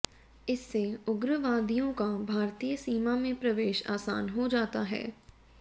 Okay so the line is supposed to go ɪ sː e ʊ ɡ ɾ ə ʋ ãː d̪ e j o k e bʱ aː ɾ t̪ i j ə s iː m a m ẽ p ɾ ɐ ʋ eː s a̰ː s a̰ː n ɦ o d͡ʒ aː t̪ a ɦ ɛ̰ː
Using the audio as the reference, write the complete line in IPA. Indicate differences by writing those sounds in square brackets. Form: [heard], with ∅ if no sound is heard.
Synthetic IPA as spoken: ɪ sː e ʊ ɡ ɾ ə ʋ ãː d̪ [i] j [õ] k [a] bʱ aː ɾ t̪ i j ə s iː m a m ẽ p ɾ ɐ ʋ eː [ʃ] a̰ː s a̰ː n ɦ o d͡ʒ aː t̪ a ɦ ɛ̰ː